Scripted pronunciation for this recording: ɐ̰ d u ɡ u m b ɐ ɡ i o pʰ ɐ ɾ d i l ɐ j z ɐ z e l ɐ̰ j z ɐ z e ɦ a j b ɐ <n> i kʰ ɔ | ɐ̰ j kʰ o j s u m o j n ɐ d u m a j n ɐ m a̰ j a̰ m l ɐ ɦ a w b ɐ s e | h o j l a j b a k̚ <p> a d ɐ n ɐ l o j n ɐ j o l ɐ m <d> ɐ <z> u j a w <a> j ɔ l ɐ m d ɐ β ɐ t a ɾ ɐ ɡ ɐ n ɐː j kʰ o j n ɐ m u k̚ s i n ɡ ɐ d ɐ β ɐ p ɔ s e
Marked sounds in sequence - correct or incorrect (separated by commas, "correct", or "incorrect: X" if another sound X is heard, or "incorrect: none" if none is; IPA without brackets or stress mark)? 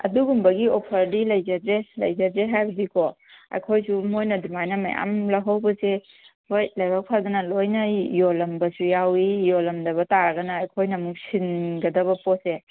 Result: incorrect: d, incorrect: pʰ, incorrect: b, incorrect: s, incorrect: i